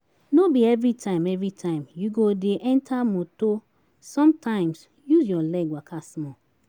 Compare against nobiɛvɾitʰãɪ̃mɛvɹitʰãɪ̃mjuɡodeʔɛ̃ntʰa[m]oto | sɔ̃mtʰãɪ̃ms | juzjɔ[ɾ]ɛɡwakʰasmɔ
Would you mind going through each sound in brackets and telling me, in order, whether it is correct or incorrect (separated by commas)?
correct, incorrect